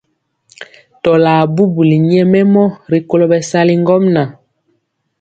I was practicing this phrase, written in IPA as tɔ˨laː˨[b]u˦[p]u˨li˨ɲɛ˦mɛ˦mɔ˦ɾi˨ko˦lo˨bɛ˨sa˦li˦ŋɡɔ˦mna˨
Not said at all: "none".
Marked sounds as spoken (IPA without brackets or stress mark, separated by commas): b, b